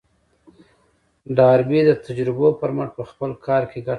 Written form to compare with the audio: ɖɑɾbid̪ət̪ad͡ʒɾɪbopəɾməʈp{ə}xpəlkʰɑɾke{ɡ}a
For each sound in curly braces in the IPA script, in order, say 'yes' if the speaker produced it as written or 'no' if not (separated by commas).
yes, yes